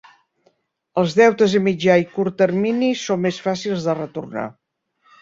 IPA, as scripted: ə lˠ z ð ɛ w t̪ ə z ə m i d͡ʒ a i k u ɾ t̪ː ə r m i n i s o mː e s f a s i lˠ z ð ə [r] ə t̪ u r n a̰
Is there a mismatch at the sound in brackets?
no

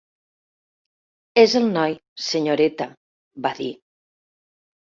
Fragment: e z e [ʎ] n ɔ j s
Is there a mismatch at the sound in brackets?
yes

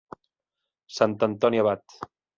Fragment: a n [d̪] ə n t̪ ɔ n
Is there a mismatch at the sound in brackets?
yes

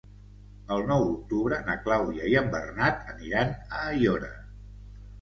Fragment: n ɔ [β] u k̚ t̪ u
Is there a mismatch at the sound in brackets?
yes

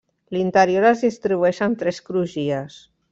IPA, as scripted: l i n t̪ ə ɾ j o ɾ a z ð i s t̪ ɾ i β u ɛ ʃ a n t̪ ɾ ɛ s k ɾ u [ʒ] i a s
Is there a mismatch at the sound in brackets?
no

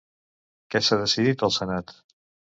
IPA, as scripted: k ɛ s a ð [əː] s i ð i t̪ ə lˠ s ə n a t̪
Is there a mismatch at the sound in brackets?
yes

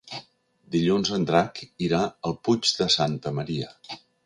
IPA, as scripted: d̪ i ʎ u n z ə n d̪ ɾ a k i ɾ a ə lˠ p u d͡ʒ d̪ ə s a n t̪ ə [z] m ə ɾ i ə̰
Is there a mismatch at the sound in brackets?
yes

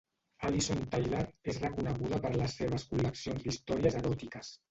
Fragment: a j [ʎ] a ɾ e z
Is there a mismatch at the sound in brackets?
yes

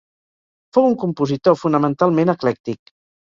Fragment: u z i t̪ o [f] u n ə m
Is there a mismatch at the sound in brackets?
no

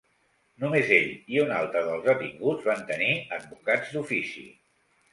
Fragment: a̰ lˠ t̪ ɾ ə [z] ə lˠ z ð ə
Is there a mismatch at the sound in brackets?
yes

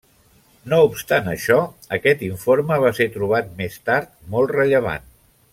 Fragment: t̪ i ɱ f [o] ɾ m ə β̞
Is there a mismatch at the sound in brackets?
no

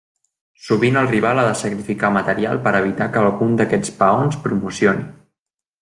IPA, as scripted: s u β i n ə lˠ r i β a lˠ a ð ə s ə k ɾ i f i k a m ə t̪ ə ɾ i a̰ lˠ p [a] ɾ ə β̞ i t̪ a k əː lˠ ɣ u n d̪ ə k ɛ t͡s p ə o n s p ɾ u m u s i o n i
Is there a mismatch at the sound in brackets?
yes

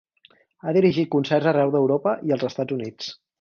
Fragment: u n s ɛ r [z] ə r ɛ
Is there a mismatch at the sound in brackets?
no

